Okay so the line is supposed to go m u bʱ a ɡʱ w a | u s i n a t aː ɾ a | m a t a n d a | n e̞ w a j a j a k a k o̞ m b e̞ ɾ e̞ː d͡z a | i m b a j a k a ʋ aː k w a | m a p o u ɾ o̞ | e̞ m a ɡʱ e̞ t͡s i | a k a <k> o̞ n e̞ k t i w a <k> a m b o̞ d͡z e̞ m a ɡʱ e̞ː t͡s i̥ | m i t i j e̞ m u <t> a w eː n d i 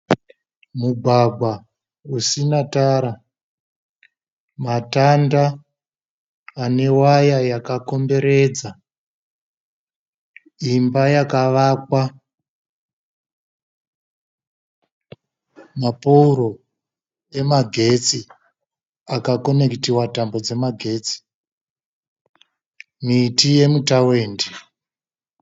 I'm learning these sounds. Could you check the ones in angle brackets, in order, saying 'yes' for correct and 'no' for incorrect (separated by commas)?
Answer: yes, no, yes